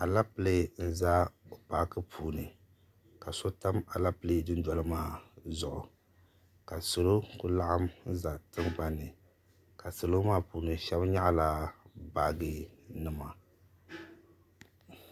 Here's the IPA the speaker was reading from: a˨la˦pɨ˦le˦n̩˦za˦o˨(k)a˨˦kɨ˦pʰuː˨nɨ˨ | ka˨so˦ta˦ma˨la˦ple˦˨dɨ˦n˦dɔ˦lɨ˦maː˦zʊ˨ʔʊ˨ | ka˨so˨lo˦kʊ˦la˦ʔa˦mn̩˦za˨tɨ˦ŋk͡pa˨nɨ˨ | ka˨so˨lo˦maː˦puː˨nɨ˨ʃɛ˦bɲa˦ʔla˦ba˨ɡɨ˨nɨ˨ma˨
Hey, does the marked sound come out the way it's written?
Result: no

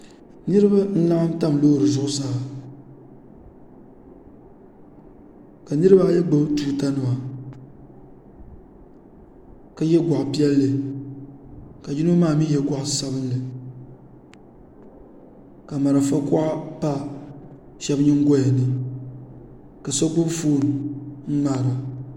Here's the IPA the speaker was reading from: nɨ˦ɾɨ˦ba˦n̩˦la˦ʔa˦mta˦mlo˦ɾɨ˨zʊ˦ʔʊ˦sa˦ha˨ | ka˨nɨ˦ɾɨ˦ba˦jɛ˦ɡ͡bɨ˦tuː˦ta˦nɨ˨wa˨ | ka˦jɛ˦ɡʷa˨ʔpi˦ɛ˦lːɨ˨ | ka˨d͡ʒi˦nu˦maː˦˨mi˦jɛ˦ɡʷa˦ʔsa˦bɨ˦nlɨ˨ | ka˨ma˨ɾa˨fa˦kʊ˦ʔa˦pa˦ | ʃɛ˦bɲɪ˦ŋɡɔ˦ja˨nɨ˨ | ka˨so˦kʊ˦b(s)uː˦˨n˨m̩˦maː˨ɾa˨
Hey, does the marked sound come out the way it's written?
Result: no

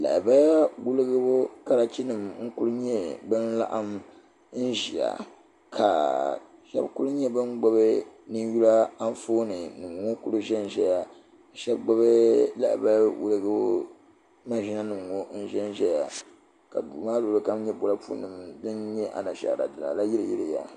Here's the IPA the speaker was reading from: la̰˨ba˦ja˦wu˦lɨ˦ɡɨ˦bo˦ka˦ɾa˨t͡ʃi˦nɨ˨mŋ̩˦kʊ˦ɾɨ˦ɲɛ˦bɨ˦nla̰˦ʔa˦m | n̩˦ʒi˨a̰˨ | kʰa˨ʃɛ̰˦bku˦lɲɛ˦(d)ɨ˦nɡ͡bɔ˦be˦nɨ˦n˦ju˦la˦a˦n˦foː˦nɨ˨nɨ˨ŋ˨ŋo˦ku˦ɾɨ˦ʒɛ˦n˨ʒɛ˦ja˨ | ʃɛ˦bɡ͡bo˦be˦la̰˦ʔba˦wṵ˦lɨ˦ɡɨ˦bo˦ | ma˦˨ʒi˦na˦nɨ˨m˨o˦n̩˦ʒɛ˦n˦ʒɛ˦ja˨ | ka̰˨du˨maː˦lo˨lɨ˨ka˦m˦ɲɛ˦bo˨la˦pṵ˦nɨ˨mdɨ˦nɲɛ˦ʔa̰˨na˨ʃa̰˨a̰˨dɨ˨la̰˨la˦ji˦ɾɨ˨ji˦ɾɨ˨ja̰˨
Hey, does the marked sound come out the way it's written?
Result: no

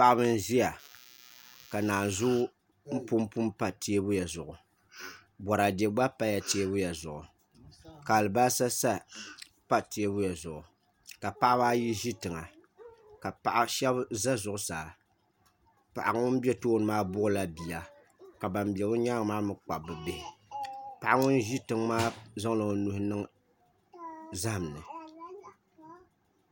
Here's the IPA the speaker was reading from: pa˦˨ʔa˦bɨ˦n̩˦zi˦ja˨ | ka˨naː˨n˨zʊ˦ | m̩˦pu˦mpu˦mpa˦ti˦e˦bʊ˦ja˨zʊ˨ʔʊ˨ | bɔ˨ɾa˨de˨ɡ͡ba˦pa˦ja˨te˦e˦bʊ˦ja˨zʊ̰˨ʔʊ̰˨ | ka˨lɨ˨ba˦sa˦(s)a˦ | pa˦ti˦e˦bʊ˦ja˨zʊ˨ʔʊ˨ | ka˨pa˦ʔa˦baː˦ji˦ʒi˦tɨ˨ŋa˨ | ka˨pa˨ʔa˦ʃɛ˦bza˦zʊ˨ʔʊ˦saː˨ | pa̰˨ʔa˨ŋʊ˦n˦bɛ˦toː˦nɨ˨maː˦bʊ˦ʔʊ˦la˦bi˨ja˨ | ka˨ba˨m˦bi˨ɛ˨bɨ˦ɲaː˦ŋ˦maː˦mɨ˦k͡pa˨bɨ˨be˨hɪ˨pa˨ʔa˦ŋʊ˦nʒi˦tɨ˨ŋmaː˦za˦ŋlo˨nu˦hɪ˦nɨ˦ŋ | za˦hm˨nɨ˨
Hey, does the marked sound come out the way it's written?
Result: yes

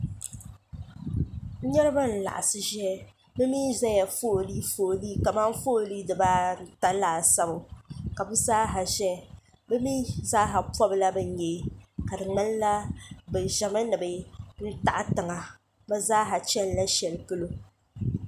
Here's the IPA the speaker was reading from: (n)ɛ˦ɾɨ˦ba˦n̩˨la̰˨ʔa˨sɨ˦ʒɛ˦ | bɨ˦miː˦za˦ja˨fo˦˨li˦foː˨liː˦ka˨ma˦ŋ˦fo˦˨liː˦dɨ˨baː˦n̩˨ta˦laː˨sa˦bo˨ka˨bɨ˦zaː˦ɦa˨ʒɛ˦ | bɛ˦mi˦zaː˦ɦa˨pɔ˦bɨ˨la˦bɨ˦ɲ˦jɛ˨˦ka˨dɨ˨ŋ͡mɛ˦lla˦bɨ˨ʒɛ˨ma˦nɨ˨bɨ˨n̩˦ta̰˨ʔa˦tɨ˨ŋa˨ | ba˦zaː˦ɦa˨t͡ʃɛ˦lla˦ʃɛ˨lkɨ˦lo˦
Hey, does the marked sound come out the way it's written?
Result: no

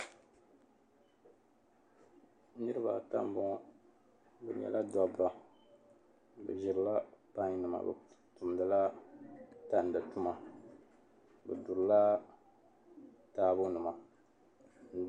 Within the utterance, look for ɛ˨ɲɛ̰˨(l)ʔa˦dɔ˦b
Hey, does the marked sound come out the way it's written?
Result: yes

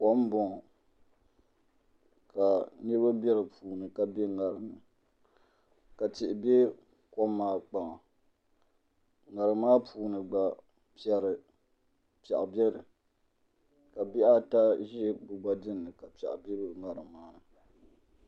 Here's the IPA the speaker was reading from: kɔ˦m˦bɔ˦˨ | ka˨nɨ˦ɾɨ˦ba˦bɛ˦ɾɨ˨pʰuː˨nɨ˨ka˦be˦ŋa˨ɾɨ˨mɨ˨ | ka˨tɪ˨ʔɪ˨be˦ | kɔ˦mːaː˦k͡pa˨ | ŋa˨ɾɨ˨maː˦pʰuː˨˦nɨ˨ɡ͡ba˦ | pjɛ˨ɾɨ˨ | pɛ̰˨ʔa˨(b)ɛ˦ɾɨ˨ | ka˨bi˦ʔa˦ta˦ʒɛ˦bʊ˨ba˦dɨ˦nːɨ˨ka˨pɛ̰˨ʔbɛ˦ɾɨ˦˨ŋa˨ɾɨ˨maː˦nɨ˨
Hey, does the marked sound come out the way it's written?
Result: yes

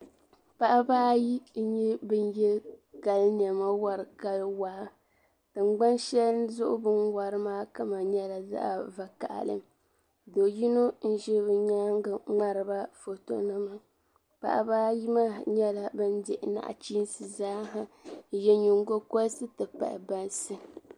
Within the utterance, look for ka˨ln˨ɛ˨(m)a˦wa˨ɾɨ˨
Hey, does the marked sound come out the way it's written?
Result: yes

